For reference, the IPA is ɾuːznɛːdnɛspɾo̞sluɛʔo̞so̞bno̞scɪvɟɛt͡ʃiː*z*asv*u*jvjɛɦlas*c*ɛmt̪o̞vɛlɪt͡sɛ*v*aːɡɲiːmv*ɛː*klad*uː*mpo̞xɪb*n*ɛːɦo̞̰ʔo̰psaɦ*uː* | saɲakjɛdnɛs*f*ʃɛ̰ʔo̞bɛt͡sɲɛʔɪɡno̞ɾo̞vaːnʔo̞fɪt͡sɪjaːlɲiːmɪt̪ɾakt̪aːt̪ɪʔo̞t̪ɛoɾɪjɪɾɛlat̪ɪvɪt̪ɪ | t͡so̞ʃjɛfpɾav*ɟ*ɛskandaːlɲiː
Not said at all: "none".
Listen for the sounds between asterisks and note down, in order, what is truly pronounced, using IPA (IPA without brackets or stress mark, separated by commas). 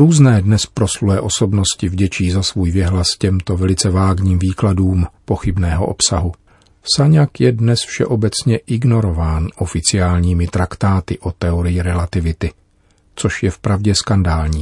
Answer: z, uː, c, v, iː, uː, n, u, f, ɟ